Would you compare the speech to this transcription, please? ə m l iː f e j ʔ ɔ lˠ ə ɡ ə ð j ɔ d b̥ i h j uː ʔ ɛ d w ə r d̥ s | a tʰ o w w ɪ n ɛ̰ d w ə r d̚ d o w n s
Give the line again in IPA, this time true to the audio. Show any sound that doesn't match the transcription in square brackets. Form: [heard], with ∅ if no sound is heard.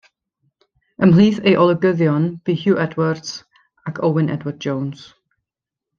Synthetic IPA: ə m l iː [θ] e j ʔ ɔ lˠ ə ɡ ə ð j ɔ [n] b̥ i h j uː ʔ ɛ d w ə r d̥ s | a [kʰ] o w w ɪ n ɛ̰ d w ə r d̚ [d͡ʒ] o w n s